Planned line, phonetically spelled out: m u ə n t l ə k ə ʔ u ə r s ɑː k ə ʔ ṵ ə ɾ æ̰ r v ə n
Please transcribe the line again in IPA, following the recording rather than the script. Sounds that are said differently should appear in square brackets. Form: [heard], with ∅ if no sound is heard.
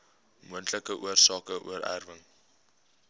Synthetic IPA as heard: m u ə n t l ə k ə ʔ u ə r s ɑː k ə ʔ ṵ ə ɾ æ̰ r v ə [ŋ]